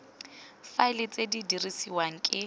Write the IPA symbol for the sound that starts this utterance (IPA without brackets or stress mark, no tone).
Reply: f